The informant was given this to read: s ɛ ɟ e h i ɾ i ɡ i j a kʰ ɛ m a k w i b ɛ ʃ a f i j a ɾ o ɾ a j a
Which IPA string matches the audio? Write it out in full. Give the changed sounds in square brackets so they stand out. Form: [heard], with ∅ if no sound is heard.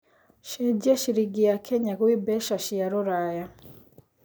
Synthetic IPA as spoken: [ʃ] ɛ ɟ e [ʃ] i ɾ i ɡ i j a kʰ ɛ [ɲ] a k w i b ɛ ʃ a [ʃ] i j a ɾ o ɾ a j a